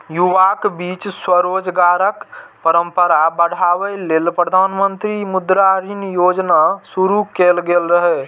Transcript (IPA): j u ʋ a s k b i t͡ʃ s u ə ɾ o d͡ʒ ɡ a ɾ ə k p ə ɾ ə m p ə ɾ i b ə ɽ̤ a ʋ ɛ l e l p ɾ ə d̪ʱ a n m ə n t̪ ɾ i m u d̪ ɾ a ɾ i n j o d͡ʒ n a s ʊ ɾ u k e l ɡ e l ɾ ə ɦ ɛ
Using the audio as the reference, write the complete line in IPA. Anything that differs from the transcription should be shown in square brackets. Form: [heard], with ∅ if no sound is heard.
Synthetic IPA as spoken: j u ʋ a [∅] k b i t͡ʃ s [w] ə ɾ o d͡ʒ ɡ a ɾ ə k p ə ɾ ə m p ə ɾ [a] b ə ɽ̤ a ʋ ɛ l e l p ɾ ə d̪ʱ a n m ə n t̪ ɾ i m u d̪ ɾ a ɾ i n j o d͡ʒ n a s [u] ɾ u k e l ɡ e l ɾ ə ɦ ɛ